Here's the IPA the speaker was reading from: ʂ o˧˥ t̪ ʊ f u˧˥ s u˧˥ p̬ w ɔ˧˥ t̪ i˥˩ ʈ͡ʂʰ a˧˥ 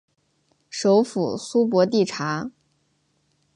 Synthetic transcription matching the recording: ʂ o˧˥ ʊ f u˨˩ s u˥ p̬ w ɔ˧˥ t̪ i˥˩ ʈ͡ʂʰ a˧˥